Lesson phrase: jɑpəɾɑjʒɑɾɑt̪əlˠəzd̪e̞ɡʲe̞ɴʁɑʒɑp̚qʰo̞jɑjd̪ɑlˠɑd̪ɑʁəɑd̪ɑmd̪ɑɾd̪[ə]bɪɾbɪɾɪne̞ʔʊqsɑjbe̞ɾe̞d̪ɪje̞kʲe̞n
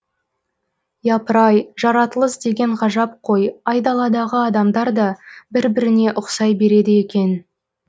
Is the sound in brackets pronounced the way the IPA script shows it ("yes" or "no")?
no